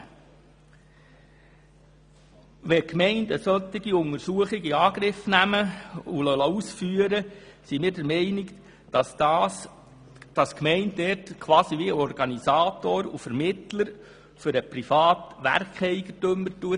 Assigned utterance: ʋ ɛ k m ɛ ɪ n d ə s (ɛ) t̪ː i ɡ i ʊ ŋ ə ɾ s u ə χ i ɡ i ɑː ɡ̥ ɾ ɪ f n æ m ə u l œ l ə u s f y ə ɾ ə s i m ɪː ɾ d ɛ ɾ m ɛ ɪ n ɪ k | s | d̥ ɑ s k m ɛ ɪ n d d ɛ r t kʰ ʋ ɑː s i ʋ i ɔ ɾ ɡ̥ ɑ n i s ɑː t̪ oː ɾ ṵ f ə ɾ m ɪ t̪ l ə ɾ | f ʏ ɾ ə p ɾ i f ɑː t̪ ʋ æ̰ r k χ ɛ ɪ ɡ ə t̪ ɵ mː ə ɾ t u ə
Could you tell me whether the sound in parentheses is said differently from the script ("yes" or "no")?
yes